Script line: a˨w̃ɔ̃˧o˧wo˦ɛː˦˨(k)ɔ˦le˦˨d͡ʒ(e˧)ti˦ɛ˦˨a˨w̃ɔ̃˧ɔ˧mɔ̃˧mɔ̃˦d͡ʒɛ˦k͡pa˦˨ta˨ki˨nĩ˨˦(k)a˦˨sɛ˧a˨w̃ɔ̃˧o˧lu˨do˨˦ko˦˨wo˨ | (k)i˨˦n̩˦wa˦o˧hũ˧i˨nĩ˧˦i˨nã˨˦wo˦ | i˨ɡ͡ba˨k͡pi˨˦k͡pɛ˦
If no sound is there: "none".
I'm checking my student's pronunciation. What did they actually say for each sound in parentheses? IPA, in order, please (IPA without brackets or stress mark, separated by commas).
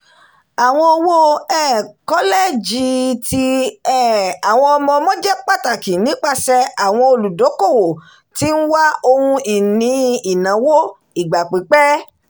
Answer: k, i˧, k͡p, t